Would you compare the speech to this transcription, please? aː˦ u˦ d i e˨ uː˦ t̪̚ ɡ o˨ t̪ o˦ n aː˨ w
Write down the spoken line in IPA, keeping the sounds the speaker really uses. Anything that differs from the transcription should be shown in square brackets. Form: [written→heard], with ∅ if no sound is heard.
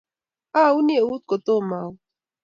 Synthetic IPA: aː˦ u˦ [d→n] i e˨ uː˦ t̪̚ [ɡ→k] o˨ t̪ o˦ [n→m] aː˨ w